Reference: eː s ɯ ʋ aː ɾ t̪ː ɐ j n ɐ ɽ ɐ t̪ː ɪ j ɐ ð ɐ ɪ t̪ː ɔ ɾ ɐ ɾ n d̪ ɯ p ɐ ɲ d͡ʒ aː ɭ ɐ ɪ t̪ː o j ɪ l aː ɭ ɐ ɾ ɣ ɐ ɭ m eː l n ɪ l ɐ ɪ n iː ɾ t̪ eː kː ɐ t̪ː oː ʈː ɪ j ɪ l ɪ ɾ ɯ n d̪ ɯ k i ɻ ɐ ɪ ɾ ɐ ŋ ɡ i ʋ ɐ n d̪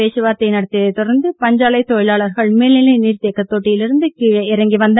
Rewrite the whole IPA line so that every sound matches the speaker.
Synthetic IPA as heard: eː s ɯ ʋ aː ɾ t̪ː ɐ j n ɐ ɽ ɐ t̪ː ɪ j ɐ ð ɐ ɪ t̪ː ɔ ɾ ɐ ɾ n d̪ ɯ p ɐ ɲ d͡ʒ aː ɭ ɐ ɪ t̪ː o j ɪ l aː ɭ ɐ ɾ ɣ ɐ ɭ m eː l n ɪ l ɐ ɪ n iː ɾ t̪ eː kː ɐ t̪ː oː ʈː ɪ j ɪ l ɪ ɾ ɯ n d̪ ɯ k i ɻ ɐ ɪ ɾ ɐ ŋ ɡ i ʋ ɐ n d̪